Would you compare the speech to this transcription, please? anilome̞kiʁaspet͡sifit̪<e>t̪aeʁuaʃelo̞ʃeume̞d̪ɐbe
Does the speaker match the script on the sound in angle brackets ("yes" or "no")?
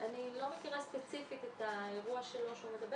yes